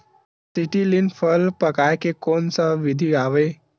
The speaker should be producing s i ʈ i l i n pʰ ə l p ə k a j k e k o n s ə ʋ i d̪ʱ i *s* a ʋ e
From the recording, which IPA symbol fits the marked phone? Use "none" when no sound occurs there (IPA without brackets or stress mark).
none